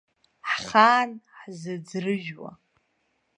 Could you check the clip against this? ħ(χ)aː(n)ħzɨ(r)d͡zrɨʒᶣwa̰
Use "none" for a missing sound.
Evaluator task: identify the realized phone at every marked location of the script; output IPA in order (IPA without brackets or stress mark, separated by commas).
χ, n, none